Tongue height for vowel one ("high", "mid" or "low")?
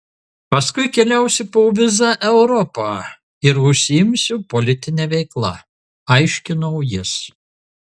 low